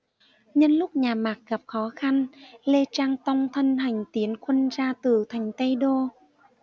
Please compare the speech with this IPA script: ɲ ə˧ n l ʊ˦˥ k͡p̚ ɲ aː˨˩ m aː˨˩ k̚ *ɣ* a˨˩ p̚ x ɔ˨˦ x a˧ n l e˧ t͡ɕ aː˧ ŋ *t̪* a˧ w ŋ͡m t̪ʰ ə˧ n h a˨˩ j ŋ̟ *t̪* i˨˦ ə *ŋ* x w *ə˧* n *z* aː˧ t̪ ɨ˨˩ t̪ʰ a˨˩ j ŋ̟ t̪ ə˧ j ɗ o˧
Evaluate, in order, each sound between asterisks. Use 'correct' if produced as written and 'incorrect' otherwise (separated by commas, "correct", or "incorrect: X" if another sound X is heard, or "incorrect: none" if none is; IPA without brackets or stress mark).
correct, correct, correct, incorrect: n, correct, correct